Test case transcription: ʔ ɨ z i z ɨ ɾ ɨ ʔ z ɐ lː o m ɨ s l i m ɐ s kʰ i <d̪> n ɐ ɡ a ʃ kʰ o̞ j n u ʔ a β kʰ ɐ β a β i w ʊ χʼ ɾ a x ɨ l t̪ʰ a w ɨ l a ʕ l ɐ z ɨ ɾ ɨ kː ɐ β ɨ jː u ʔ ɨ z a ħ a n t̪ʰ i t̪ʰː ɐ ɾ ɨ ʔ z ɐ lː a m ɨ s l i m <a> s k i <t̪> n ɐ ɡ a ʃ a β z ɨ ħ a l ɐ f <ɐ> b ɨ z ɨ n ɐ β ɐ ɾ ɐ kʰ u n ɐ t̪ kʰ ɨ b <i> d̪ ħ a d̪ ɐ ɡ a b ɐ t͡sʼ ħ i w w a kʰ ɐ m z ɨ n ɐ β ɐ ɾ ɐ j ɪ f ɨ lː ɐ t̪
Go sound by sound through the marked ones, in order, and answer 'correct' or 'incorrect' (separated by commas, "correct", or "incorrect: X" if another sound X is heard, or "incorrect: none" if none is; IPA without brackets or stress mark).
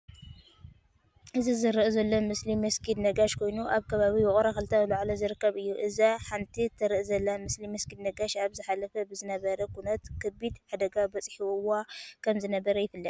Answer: correct, incorrect: ɐ, incorrect: d̪, correct, correct